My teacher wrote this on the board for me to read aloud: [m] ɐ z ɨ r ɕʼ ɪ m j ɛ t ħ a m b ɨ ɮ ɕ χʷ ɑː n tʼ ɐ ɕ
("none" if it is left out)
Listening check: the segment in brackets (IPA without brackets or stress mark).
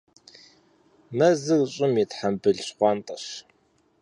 m